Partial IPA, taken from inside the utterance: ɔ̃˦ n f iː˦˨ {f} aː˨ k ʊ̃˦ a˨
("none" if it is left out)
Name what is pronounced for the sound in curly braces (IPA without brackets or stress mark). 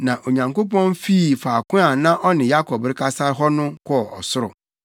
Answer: f